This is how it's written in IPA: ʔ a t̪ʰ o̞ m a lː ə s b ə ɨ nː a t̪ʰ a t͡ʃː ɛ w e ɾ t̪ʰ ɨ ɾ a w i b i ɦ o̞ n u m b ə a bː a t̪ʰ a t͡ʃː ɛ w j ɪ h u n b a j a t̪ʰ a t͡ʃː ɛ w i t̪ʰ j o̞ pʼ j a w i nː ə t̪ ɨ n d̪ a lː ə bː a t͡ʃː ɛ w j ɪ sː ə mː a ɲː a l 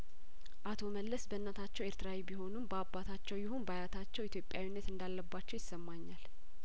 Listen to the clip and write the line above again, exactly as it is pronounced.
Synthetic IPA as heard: ʔ a t̪ʰ o̞ m ə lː ə s b ə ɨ nː a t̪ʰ a t͡ʃː ɛ w e ɾ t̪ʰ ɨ ɾ a w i b i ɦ o̞ n u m b ə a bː a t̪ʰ a t͡ʃː ɛ w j ɪ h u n b a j a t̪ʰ a t͡ʃː ɛ w i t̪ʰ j o̞ pʼ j a w i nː ə t̪ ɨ n d̪ a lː ə bː a t͡ʃː ɛ w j ɪ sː ə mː a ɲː a l